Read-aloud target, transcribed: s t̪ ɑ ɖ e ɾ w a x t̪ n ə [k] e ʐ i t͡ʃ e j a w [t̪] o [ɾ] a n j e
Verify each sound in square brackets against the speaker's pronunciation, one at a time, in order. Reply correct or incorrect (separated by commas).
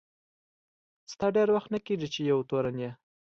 correct, correct, correct